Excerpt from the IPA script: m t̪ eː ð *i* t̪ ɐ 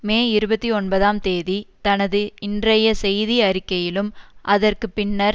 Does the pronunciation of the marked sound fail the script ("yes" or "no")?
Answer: no